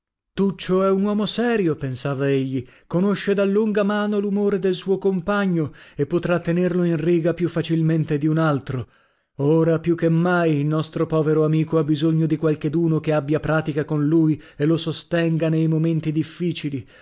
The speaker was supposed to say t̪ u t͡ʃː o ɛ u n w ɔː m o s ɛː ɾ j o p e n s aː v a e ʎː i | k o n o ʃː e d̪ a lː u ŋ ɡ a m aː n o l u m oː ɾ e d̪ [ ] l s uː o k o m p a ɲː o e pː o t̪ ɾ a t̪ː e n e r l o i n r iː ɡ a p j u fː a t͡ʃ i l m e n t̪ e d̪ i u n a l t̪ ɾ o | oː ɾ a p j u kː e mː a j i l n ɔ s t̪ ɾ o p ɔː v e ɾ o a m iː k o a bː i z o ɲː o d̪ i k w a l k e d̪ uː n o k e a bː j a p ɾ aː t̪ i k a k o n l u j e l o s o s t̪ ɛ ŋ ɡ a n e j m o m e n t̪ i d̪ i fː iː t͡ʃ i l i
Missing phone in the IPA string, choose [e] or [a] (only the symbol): e